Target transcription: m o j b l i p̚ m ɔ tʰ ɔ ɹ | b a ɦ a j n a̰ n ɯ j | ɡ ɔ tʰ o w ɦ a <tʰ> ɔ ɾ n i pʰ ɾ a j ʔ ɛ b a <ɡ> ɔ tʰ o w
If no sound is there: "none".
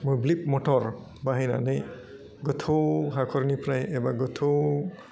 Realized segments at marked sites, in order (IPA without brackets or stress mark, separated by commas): kʰ, ɡ